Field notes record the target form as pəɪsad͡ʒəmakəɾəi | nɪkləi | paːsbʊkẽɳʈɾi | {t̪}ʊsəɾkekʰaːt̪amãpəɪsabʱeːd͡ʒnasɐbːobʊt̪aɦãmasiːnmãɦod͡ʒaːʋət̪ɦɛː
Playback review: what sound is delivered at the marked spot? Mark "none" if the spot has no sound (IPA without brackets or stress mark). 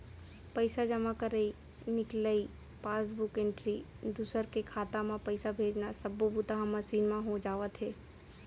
d̪